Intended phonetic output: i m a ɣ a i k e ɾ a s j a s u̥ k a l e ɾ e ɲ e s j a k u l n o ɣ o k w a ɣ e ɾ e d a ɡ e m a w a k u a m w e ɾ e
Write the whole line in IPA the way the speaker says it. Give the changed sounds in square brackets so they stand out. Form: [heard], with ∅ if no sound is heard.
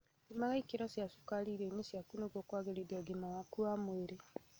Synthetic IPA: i m a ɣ a i k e ɾ a s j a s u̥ k a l [i] ɾ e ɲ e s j a k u [∅] n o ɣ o k w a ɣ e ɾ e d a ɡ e m a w a k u a m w e ɾ e